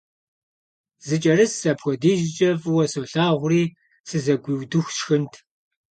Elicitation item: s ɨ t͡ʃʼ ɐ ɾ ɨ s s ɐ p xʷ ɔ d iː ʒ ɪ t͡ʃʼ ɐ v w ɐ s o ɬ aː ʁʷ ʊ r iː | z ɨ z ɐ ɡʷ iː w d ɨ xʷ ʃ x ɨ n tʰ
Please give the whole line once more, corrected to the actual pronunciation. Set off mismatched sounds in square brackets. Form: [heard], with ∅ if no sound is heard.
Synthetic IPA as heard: [z] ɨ t͡ʃʼ ɐ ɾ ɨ s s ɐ p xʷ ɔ d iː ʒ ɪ t͡ʃʼ ɐ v w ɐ s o ɬ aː ʁʷ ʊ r iː | [s] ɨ z ɐ ɡʷ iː w d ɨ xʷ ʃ x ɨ n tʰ